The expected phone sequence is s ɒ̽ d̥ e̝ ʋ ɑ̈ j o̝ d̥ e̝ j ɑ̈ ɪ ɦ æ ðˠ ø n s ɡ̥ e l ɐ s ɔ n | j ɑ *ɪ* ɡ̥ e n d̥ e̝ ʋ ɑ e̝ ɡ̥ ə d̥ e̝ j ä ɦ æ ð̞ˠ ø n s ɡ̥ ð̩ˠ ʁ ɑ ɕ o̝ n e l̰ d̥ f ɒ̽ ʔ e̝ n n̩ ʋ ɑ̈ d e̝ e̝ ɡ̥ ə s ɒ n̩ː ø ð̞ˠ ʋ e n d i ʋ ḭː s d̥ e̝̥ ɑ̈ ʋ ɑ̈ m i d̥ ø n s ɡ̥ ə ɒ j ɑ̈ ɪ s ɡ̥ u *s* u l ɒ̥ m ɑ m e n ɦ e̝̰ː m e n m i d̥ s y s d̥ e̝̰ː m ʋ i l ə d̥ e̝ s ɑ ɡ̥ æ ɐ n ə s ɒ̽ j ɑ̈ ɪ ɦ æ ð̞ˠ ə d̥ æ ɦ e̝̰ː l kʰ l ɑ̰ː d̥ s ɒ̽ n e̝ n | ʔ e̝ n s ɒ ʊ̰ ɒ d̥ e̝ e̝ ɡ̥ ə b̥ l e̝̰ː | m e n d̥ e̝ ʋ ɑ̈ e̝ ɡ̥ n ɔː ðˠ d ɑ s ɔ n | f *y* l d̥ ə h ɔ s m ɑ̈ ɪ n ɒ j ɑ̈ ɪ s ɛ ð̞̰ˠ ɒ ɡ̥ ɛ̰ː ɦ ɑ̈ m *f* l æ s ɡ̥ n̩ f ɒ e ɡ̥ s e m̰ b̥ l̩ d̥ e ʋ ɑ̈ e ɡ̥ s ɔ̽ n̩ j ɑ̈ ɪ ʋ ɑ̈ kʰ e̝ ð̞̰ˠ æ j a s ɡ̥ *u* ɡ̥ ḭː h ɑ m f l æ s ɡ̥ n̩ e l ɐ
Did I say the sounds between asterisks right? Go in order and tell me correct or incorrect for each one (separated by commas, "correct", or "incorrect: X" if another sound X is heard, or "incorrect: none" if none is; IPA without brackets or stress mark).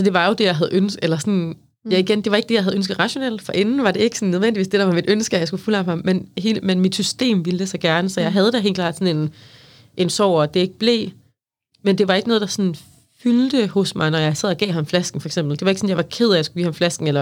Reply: incorrect: i, incorrect: f, correct, correct, correct